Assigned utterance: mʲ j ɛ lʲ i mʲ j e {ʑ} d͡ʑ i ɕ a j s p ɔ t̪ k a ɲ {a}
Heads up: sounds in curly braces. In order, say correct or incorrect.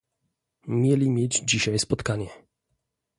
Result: incorrect: d͡ʑ, incorrect: ɛ

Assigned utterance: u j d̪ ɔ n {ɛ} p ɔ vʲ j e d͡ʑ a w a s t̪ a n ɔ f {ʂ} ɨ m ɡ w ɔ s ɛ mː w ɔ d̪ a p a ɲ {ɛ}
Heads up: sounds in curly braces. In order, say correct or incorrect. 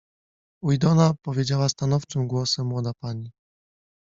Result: incorrect: a, incorrect: t͡ʂ, incorrect: i

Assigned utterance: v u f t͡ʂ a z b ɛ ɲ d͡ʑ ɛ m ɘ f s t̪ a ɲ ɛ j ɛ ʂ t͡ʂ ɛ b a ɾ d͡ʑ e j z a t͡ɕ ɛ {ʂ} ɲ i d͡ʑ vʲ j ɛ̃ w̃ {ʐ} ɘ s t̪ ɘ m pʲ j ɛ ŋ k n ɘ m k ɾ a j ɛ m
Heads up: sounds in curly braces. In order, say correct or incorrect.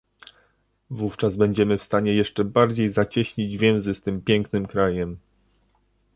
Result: incorrect: ɕ, incorrect: z

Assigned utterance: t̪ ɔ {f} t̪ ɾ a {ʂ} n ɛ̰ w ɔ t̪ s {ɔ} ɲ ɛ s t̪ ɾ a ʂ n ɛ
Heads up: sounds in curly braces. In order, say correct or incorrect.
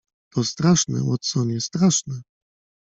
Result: incorrect: s, correct, correct

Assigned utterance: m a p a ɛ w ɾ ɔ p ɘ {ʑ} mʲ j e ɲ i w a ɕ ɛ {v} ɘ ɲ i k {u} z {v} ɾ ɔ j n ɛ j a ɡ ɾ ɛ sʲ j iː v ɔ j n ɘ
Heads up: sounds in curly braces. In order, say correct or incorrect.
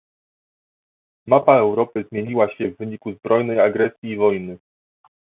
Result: incorrect: z, incorrect: vː, correct, incorrect: b

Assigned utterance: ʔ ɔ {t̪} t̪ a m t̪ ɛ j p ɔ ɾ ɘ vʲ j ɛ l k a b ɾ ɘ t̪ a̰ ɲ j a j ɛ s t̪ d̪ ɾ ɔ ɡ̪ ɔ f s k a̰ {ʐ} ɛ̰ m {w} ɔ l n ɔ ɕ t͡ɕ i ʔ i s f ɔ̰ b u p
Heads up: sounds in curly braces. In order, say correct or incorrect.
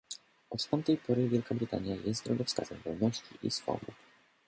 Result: correct, incorrect: z, incorrect: v

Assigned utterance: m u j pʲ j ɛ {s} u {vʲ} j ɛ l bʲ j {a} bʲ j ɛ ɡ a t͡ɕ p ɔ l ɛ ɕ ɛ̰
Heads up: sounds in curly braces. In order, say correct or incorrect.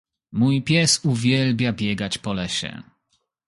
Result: correct, correct, correct

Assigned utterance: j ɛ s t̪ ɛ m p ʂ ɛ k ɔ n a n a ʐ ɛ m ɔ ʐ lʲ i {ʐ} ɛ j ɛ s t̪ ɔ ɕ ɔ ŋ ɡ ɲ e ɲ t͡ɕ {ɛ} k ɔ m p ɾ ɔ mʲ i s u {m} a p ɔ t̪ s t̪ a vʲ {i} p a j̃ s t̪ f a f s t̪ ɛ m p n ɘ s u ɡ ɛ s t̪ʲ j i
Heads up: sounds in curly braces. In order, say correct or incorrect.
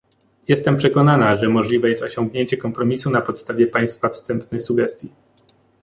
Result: incorrect: v, correct, incorrect: n, incorrect: ɛ

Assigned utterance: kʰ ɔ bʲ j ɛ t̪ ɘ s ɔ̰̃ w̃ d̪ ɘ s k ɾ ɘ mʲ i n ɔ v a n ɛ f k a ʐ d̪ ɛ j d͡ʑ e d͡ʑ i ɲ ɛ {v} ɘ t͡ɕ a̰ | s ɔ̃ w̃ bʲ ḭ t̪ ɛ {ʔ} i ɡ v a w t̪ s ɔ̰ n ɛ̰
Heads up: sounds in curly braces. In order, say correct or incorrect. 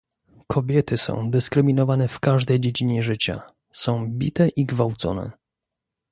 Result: incorrect: ʐ, correct

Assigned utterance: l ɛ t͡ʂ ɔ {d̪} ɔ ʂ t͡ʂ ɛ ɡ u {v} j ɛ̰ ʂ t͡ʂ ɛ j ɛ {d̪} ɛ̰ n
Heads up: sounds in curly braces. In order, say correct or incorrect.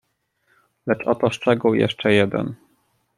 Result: incorrect: t̪, incorrect: w, correct

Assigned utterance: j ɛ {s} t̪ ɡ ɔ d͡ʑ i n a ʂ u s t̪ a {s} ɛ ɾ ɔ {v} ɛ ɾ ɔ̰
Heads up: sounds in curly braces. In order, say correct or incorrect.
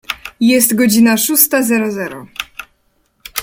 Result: correct, incorrect: z, incorrect: z

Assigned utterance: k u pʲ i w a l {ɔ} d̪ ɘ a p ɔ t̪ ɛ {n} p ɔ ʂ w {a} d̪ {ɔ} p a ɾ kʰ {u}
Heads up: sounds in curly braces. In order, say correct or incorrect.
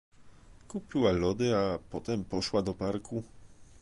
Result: correct, incorrect: m, correct, correct, correct

